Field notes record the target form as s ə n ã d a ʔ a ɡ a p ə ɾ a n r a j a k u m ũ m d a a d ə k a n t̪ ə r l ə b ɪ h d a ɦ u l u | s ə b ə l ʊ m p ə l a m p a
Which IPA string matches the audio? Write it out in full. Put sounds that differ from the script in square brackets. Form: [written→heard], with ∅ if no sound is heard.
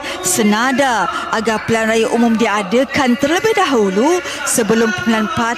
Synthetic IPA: s ə n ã d a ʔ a ɡ a p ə [ɾ→l] a n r a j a [k→ʔ] u m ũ m d [a→i] a d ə k a n t̪ ə r l ə b ɪ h d a ɦ u l u | s ə b ə l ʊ m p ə l a [m→n] p a